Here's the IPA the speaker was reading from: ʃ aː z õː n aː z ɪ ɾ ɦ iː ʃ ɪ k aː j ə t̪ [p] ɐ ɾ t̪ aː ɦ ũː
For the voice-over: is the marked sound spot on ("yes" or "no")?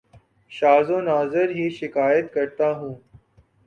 no